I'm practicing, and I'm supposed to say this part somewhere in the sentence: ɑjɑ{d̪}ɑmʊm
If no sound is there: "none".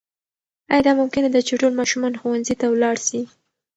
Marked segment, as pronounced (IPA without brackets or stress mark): d̪